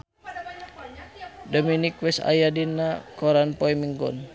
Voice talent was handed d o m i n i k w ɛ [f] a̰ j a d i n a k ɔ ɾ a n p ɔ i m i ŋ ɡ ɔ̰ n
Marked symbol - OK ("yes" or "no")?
no